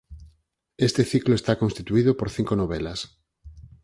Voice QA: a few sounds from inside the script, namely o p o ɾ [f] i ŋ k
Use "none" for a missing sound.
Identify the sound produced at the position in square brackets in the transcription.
θ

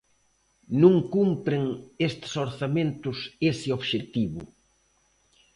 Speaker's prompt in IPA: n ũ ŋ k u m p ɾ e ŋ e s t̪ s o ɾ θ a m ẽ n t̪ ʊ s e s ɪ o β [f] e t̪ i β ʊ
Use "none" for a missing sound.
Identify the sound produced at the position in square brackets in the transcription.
ʃ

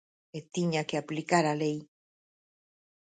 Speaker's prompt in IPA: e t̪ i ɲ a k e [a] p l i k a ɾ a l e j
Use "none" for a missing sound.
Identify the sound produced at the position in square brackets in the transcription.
a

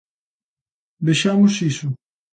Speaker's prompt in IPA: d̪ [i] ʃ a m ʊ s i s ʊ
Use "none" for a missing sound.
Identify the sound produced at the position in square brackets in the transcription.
e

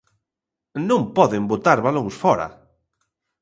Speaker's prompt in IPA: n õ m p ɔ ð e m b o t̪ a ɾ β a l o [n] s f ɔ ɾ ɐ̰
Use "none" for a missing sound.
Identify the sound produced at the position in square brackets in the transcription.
ŋ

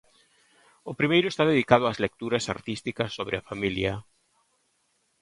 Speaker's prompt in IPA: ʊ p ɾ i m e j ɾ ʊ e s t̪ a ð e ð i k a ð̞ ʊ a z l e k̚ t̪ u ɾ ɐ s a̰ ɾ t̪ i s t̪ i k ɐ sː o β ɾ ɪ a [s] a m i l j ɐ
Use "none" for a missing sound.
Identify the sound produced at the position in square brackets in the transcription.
f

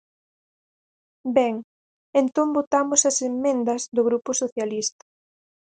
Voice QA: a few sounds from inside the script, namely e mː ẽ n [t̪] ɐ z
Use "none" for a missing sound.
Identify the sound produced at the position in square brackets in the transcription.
d̪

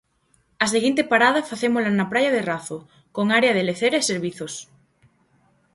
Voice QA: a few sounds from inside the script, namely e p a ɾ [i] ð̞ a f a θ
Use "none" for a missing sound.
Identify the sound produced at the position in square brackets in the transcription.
a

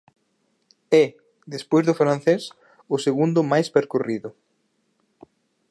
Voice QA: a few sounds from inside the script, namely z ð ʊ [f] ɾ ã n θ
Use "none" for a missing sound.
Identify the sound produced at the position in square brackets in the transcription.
f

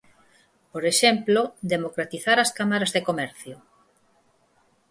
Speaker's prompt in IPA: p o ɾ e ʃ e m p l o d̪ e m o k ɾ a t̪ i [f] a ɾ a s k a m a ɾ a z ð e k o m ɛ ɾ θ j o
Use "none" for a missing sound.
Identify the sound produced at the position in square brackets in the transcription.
θ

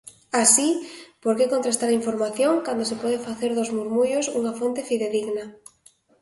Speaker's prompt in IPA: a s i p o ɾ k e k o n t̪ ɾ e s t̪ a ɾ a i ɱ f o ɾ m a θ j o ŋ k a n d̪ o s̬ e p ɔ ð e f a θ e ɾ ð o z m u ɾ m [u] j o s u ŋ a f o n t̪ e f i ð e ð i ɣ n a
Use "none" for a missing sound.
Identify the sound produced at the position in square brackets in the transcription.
u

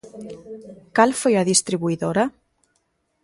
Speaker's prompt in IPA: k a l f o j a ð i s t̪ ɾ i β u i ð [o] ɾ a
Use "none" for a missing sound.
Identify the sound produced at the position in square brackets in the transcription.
o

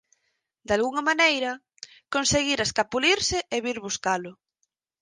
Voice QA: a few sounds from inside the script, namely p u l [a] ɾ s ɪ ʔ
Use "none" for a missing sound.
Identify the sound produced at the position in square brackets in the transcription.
i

